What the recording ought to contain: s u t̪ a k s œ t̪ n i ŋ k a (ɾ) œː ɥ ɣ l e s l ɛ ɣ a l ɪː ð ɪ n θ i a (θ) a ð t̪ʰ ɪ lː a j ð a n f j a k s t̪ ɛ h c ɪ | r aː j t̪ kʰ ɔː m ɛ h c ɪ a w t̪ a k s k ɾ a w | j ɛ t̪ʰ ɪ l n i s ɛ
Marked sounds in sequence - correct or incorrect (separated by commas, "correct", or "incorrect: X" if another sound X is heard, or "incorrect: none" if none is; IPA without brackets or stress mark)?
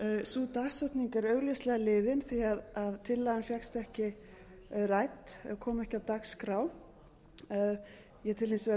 correct, incorrect: ð